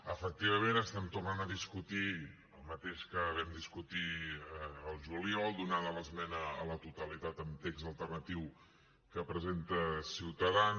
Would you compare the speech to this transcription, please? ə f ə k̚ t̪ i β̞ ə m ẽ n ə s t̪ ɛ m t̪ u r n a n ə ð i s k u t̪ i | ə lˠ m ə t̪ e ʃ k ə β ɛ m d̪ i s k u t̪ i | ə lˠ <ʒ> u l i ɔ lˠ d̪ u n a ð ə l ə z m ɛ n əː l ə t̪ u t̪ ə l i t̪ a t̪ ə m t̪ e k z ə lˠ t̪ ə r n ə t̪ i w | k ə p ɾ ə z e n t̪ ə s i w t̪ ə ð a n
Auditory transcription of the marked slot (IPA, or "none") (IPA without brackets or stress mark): ʒ